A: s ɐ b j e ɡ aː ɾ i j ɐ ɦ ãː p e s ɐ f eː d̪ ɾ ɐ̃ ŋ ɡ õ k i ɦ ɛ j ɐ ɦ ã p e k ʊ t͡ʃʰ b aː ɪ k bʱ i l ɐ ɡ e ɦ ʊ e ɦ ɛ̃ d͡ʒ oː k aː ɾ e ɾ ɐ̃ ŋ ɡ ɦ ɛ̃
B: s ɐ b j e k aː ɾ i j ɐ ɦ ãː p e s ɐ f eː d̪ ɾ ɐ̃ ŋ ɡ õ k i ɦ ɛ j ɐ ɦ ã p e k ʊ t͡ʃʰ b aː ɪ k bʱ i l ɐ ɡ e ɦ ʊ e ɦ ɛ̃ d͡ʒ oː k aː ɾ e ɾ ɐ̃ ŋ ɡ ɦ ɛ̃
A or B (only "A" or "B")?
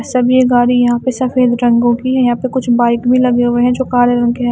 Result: A